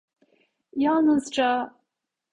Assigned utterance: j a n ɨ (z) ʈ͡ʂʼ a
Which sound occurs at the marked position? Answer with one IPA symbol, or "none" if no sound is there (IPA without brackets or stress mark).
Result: z